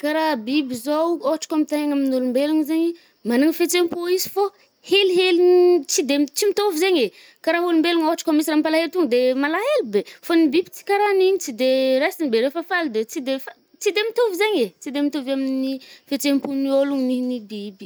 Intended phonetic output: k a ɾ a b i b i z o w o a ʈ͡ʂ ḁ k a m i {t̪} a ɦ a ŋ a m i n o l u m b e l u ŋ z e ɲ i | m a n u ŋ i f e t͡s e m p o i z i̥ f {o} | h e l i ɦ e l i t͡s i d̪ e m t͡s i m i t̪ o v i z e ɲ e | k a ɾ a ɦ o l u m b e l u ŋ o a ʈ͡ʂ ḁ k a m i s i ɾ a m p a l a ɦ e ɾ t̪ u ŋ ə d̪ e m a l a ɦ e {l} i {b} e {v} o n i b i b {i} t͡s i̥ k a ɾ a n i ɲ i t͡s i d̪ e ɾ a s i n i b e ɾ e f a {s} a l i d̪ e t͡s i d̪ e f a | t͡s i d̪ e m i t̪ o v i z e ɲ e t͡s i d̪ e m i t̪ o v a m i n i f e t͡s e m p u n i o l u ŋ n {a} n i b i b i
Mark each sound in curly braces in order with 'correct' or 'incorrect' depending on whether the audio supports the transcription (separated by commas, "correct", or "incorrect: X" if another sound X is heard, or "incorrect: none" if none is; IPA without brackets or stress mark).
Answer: correct, correct, correct, correct, incorrect: f, correct, incorrect: f, incorrect: i